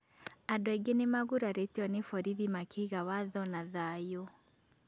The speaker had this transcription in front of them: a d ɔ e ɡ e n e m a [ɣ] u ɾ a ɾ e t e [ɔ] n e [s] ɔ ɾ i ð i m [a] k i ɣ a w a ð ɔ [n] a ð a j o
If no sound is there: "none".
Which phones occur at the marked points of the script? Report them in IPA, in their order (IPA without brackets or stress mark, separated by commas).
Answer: ɣ, ɔ, f, a, n